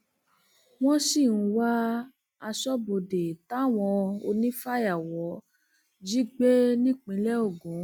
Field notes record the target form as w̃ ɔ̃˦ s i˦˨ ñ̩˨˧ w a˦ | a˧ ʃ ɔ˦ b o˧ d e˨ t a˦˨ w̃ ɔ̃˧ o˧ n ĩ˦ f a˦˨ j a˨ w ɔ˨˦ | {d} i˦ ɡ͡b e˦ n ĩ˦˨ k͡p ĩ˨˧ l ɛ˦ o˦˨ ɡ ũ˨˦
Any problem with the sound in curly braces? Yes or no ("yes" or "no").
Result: yes